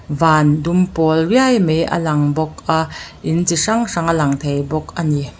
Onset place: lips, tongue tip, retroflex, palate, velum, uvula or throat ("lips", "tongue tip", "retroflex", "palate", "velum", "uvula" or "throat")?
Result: lips